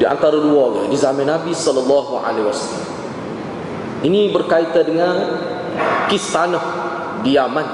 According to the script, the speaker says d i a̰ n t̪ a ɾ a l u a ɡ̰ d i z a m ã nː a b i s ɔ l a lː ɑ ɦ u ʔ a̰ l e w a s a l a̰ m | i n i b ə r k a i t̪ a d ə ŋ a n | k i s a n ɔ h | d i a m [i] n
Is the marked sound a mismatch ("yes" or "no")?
yes